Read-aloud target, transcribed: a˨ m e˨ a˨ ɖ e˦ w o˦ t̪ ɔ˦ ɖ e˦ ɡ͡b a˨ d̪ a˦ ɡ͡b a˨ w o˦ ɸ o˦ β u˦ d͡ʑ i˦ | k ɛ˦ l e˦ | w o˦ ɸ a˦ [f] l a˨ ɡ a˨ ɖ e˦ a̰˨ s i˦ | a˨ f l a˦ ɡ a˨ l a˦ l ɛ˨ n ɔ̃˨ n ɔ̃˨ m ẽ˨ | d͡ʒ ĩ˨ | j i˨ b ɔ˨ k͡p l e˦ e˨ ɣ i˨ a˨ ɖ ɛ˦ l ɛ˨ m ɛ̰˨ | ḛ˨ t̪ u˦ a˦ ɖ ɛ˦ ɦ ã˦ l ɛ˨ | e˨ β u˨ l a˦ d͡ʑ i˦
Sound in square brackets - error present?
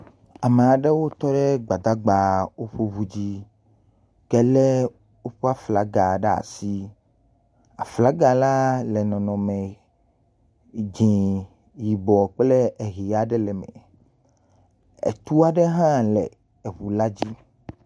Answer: no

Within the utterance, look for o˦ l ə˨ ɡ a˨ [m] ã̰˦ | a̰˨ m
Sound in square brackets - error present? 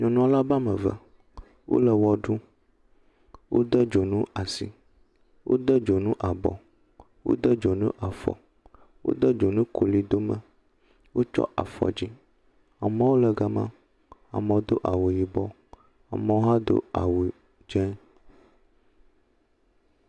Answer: no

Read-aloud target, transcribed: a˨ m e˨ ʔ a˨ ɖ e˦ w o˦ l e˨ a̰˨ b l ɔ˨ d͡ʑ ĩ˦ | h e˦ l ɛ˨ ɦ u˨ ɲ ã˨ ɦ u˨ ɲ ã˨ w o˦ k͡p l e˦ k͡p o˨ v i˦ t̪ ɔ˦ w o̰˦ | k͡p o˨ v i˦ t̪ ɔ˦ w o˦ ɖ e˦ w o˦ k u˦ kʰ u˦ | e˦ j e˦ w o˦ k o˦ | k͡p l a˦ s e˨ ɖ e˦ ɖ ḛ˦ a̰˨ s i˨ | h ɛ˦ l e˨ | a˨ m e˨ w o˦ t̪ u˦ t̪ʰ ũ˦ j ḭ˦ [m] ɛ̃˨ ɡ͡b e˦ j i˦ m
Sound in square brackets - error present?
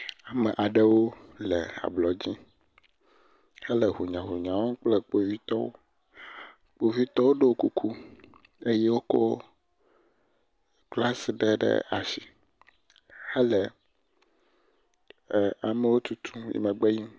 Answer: no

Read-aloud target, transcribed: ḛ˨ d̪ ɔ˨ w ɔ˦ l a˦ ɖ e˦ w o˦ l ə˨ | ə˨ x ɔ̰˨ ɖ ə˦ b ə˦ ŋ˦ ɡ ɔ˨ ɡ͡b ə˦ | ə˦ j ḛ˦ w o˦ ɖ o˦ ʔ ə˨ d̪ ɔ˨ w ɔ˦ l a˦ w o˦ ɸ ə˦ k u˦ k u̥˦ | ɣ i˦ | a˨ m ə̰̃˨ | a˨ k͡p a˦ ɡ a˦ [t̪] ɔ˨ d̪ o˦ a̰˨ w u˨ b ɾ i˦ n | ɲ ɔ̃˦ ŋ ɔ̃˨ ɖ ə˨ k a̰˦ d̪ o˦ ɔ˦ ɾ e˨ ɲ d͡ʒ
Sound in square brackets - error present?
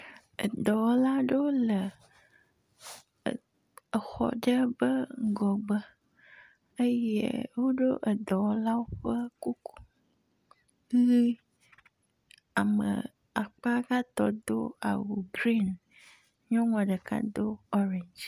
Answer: no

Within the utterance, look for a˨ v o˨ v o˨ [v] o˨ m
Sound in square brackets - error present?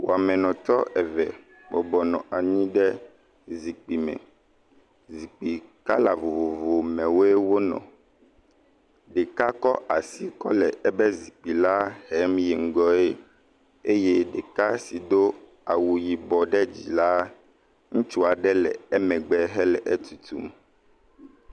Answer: no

